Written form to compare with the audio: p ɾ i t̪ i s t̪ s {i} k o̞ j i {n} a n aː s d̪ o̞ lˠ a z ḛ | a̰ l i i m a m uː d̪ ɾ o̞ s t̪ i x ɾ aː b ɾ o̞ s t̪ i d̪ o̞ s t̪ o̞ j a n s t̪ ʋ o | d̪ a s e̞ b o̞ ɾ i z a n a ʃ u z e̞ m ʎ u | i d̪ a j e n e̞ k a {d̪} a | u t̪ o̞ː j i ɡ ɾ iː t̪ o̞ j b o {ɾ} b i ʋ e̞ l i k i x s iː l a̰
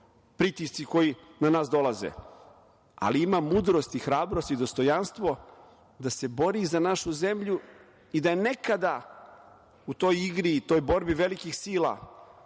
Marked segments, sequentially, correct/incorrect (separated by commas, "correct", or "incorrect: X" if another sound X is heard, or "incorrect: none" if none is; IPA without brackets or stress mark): correct, correct, correct, correct